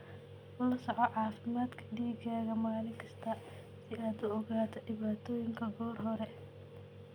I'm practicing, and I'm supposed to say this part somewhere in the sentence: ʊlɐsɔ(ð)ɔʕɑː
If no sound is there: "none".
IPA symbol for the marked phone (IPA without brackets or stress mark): ʕ